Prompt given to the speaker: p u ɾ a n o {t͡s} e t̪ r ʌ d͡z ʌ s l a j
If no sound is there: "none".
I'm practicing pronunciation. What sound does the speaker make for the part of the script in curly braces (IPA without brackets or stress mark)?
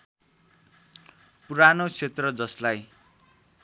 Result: t͡sʰ